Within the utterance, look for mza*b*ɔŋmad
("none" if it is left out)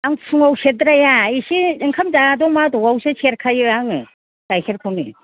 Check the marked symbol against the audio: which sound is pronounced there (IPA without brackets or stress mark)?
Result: d